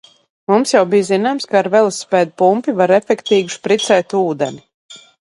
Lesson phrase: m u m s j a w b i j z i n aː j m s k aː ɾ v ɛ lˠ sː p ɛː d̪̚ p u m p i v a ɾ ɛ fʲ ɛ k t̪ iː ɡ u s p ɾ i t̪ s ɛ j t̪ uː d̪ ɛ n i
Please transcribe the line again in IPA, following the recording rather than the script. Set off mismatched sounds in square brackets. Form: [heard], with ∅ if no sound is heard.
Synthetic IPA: m u m s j a w b i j z i n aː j m s k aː ɾ v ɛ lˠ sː p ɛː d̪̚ p u m p i v a ɾ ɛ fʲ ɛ k t̪ iː ɡ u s p ɾ i t̪ s ɛ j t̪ uː d̪ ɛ n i